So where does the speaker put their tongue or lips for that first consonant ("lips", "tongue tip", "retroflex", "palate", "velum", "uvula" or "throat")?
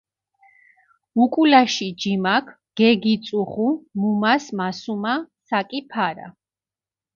velum